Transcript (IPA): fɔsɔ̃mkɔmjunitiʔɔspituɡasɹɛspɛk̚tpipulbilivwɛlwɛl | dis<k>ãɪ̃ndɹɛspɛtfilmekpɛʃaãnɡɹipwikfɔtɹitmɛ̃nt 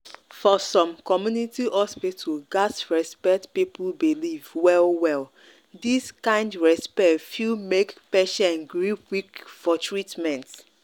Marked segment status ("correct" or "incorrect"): correct